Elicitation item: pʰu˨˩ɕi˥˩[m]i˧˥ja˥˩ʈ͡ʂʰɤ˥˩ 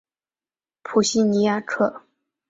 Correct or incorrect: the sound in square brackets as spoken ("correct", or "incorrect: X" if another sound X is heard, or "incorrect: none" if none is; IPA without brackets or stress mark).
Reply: incorrect: n